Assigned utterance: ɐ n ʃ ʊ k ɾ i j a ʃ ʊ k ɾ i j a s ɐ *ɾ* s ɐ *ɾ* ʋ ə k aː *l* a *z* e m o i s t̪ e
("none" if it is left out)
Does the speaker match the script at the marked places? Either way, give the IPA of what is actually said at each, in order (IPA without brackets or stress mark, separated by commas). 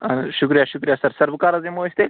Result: ɾ, ɾ, ɾ, z